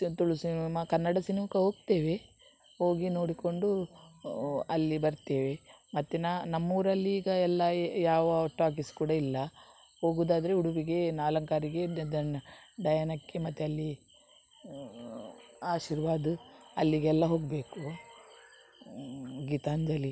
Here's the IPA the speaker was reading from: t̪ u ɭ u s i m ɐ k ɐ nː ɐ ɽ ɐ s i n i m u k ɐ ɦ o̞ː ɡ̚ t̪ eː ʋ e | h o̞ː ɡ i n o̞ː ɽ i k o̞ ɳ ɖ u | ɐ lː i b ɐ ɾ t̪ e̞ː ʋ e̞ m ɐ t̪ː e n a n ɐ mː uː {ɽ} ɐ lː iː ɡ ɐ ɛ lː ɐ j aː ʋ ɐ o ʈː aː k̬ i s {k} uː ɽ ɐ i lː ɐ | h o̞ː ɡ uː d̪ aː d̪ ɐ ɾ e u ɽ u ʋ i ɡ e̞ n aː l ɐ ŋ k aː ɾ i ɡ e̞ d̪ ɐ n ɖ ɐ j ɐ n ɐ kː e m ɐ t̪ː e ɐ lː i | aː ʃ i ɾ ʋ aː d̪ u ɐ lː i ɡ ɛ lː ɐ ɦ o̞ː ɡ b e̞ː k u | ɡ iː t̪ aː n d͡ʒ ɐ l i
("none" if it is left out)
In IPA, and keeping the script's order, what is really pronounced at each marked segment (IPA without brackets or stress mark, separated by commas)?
ɾ, k